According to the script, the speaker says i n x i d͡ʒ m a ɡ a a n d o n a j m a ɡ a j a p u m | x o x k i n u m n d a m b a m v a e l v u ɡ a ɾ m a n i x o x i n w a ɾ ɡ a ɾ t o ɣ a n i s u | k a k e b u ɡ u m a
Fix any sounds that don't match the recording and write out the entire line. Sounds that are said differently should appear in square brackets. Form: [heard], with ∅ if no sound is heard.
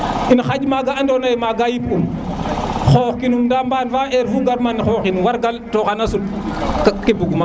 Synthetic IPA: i n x [a] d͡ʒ m a ɡ a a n d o n a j m a ɡ a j [i] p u m | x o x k i n u m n d a m b a [n] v a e [ɾ] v u ɡ a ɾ m a n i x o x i n w a ɾ ɡ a [l] t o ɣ a n [a] s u | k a k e b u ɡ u m a

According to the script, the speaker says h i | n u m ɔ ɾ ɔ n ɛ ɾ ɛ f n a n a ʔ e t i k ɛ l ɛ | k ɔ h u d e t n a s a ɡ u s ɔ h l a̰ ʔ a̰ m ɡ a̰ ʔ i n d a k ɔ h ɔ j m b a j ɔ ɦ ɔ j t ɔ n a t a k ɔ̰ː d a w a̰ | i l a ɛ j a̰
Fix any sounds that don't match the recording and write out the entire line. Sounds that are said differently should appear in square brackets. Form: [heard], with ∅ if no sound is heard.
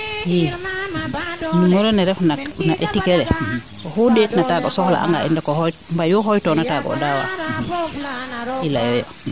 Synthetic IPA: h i | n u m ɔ ɾ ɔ n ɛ ɾ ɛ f n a n a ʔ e t i k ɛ l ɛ | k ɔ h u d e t n a [t] a ɡ [ɔ] s ɔ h l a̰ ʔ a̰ [ŋ] ɡ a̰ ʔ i n d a k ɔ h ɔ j m b a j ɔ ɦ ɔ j t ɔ n a t a [ɡ] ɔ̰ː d a w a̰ | i l a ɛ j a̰

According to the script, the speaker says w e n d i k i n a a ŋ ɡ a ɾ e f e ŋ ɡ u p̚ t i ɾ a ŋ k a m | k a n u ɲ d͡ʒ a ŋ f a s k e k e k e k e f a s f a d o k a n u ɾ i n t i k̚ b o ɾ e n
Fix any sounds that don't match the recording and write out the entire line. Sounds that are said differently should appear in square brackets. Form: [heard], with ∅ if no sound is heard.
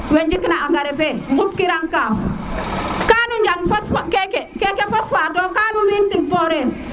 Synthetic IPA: w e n [d͡ʒ] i k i n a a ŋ ɡ a ɾ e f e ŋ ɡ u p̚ [k] i ɾ a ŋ k a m | k a n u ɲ d͡ʒ a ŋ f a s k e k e k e k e f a s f a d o k a n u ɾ i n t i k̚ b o ɾ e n

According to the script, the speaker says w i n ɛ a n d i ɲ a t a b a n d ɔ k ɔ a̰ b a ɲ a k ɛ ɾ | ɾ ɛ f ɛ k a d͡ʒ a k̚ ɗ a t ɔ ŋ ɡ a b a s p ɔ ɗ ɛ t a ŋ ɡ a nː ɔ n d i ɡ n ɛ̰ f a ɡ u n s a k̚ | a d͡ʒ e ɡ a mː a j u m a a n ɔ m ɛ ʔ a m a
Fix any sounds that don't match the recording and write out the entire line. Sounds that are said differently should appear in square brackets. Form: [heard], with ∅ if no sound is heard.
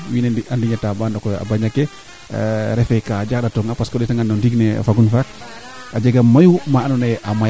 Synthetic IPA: w i n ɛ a n d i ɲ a t a b a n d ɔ k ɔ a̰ b a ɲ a k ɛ [∅] | ɾ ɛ f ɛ k a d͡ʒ a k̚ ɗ a t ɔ ŋ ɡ a [p] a s [k] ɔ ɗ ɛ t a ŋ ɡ a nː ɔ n d i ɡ n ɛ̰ f a ɡ u n [f] a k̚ | a d͡ʒ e ɡ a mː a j u m a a n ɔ [n] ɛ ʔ a m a

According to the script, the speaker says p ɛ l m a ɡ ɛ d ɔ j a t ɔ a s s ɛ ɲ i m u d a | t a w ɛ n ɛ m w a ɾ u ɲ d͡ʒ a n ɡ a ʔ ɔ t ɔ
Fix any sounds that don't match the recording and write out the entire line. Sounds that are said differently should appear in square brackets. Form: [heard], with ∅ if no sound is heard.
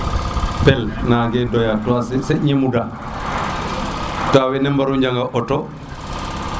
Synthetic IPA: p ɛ l [n] a ɡ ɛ d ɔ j a t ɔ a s s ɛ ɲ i m u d a | t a w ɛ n ɛ m [b] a ɾ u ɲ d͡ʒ a [ŋ] ɡ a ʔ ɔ t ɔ

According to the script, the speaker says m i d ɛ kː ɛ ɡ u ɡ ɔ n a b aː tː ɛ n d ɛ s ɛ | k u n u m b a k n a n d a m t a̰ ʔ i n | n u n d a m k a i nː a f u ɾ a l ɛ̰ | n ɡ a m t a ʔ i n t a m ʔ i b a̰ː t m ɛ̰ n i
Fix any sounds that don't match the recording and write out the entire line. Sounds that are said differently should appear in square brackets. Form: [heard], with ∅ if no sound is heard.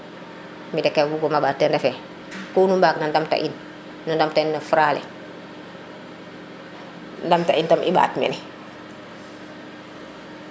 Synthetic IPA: m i d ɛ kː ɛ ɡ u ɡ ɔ [m] a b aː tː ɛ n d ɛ [f] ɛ | k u n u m b a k n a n d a m t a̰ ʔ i n | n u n d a m [t] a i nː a f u ɾ a l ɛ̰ | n [d] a m t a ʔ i n t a m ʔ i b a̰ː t m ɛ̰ n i

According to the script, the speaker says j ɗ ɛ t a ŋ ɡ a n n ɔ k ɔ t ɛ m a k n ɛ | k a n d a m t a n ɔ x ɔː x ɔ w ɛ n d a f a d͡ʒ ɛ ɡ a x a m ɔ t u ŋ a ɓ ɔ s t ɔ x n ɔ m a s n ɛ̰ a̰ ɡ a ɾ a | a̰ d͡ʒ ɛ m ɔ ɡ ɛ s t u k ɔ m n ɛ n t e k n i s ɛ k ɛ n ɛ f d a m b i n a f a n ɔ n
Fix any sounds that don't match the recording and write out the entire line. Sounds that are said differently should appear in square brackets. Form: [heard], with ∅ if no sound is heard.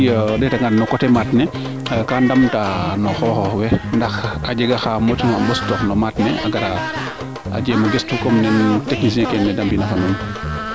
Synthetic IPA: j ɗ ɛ t a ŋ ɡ a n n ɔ k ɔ t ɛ m a [t] n ɛ | k a n d a m t a n ɔ x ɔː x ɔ w ɛ n d a [x] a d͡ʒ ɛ ɡ a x a m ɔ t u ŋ a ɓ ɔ s t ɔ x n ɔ m a [t] n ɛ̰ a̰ ɡ a ɾ a | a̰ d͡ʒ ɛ m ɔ ɡ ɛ s t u k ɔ m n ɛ n t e k n i s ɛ k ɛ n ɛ [∅] d a m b i n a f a n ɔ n

